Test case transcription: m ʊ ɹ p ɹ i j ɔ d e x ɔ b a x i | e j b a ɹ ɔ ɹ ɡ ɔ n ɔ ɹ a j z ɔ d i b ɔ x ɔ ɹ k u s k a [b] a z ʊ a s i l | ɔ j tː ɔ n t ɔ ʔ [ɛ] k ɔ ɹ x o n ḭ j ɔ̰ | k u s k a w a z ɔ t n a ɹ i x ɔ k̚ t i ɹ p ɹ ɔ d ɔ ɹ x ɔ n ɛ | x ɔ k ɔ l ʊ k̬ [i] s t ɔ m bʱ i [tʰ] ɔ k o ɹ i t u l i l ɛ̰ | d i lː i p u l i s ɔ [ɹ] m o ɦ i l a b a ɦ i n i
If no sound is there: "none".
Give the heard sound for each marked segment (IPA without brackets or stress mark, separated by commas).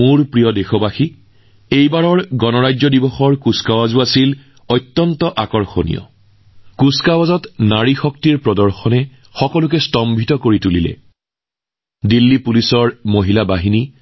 w, a, ɛ, t, ɹ